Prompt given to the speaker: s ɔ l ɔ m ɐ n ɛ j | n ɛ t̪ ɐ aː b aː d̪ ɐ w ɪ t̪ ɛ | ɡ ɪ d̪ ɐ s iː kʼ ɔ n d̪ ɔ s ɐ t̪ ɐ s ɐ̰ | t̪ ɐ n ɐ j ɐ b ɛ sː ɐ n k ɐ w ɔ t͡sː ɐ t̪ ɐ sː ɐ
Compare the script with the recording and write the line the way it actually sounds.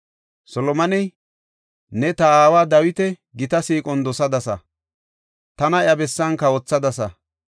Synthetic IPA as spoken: s ɔ l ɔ m ɐ n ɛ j | n ɛ t̪ ɐ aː w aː d̪ ɐ w ɪ t̪ ɛ | ɡ ɪ t̪ ɐ s iː kʼ ɔ n d̪ ɔ s ɐ d̪ ɐ s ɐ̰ | t̪ ɐ n ɐ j ɐ b ɛ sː ɐ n k ɐ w ɔ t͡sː ɐ d̪ ɐ s ɐ